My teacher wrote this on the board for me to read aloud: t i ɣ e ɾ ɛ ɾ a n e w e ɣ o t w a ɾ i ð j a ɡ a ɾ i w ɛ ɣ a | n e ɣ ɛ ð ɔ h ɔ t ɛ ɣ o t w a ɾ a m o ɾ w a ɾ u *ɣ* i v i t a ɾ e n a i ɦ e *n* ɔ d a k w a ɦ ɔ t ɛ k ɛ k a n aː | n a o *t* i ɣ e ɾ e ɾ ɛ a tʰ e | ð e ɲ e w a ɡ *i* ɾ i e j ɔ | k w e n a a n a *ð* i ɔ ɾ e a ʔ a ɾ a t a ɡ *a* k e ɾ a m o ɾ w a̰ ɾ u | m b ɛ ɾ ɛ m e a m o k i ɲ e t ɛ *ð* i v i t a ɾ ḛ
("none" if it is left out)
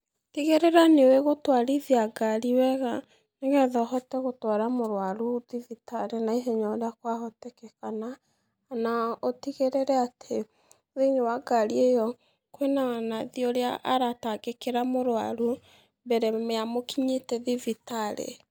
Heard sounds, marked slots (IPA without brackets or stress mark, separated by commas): ð, ɲ, t, a, ð, e, ð